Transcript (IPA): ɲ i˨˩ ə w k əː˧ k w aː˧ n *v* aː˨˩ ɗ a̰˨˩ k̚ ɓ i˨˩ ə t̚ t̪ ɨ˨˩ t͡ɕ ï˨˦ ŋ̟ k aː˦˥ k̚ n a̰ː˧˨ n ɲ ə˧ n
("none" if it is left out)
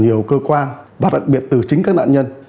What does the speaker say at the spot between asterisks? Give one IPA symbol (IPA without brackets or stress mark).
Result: v